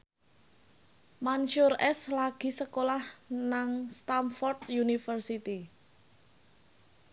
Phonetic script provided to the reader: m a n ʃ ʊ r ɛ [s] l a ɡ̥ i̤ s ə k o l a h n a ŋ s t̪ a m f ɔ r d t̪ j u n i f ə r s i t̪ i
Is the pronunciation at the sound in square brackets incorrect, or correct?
correct